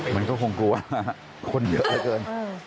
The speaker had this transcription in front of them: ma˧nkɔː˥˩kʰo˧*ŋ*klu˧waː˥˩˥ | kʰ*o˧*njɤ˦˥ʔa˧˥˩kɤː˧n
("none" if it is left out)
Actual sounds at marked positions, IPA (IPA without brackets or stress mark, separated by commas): ŋ, o˧